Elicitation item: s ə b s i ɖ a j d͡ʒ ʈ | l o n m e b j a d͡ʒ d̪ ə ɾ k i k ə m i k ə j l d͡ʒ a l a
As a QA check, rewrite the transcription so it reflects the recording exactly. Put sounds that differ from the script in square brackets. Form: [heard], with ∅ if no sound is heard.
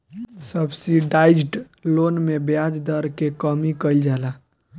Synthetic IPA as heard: s ə b s i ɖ a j d͡ʒ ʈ | l o n m e b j a d͡ʒ d̪ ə ɾ k [e] k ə m i k ə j l d͡ʒ a l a